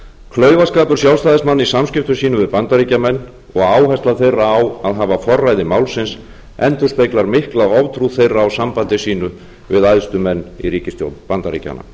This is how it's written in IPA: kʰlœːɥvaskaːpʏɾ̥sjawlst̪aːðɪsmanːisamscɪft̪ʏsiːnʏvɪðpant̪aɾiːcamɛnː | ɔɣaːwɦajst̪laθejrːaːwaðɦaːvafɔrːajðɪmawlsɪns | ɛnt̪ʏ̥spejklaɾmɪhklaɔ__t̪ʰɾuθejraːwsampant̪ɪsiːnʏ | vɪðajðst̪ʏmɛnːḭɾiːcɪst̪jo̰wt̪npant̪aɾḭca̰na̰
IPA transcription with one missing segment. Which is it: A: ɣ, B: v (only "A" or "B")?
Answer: B